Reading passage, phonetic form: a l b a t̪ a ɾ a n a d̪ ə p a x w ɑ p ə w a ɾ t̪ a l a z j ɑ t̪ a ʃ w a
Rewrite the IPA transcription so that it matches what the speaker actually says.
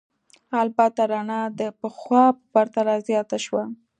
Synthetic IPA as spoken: a l b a t̪ a ɾ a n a d̪ ə p ə x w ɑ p ə b a ɾ t̪ a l a z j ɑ t̪ a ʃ w a

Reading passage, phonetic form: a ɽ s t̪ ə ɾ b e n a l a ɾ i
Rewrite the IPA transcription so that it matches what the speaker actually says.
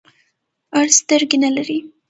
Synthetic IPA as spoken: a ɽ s t̪ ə ɾ ɡ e n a l a ɾ i

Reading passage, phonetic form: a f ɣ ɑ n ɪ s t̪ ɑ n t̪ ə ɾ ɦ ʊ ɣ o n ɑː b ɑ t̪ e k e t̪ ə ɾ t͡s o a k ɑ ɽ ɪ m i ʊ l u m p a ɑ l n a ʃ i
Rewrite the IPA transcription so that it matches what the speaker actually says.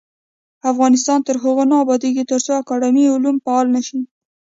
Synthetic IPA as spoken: a f ɣ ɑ n ɪ s t̪ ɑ n t̪ ə ɾ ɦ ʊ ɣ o n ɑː b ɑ d̪ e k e t̪ ə ɾ t͡s o a k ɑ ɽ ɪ m i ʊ l u m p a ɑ l n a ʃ i

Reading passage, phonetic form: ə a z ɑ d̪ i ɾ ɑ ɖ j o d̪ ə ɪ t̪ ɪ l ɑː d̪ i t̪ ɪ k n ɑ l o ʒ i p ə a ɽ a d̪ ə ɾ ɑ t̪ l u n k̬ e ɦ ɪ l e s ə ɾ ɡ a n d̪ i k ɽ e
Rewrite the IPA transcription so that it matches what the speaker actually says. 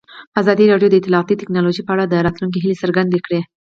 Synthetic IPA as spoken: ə a z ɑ d̪ i ɾ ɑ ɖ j o d̪ ə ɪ t̪ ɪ l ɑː t̪ i t̪ ɪ k n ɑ l o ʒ i p ə a ɽ a d̪ ə ɾ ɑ t̪ l u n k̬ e ɦ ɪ l e s ə ɾ ɡ a n d̪ e k ɽ e

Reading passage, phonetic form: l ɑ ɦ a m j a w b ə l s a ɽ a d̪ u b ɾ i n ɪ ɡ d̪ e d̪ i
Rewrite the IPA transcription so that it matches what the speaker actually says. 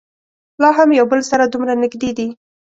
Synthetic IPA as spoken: l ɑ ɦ a m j a w b ə l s a ɾ a d̪ u m ɾ a n ɪ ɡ d̪ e d̪ i

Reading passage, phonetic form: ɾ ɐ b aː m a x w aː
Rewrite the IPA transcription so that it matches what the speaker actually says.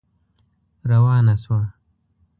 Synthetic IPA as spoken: ɾ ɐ w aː n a s w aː

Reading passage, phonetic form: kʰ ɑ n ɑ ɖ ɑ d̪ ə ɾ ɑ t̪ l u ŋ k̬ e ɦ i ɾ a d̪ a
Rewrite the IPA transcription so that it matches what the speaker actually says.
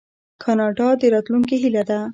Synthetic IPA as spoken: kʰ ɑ n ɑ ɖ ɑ d̪ ə ɾ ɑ t̪ l u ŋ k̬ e ɦ i l a d̪ a

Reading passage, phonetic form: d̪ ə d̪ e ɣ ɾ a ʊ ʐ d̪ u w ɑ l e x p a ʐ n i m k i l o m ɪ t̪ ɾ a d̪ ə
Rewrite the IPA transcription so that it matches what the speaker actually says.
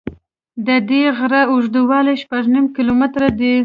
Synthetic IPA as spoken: d̪ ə d̪ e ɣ ɾ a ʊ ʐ d̪ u w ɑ l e ʃ p a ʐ n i m k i l o m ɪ t̪ ɾ a d̪ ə

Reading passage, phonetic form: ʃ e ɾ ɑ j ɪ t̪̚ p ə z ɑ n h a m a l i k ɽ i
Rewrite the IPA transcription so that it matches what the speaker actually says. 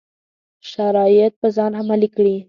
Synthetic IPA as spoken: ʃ a ɾ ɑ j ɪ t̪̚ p ə z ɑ n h a m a l i k ɽ i

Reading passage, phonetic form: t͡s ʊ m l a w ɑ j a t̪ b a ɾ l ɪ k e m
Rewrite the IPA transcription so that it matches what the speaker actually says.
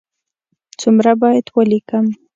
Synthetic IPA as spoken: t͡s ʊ m ɾ a b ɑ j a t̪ w a l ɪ k a m

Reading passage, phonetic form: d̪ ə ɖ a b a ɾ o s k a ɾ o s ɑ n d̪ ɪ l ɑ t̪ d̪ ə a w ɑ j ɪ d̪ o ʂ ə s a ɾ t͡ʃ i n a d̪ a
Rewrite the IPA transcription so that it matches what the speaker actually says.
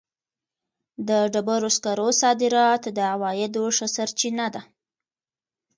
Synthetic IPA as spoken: d̪ ə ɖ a b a ɾ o s k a ɾ o s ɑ d̪ ɪ ɾ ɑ t̪ d̪ ə a w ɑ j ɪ d̪ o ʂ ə s a ɾ t͡ʃ i n a d̪ a

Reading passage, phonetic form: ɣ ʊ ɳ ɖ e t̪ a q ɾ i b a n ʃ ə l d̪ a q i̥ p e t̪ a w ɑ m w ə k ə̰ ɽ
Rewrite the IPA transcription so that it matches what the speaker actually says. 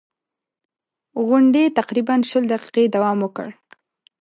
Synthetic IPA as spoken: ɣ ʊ ɳ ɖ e t̪ a q ɾ i b a n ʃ ə l d̪ a q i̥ q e d̪ a w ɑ m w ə k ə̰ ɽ

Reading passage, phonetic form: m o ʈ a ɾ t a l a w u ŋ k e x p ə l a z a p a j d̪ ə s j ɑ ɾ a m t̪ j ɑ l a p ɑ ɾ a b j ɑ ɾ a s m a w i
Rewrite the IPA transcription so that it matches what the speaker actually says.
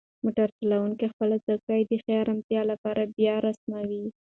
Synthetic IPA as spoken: m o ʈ a ɾ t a l a w u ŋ k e x p ə l a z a k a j d̪ ə x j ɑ ɾ a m t̪ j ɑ l a p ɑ ɾ a b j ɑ ɾ a s m a w i

